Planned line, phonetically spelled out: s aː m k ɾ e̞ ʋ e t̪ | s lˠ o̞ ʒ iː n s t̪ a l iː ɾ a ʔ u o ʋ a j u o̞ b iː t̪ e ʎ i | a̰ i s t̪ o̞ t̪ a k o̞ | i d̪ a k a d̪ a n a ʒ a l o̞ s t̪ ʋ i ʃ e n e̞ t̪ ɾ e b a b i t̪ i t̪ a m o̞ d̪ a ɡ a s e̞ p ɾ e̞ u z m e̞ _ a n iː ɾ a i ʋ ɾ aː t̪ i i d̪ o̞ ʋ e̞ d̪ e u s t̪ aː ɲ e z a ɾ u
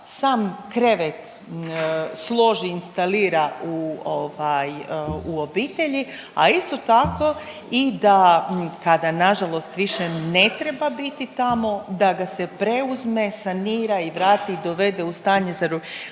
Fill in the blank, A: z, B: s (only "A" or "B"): B